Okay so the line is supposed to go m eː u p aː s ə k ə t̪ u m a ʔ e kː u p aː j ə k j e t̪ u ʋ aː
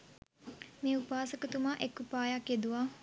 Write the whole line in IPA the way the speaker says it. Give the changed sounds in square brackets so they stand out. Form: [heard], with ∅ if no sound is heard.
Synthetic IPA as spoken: m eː u p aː s ə k ə t̪ u m a ʔ e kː u p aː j [a] k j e [d̪] u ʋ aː